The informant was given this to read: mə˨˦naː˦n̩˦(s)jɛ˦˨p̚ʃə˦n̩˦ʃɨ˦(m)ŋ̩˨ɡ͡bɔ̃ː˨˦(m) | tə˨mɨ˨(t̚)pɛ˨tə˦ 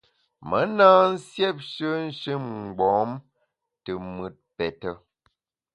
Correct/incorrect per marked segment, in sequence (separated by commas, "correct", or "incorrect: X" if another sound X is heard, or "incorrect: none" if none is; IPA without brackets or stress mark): correct, correct, correct, correct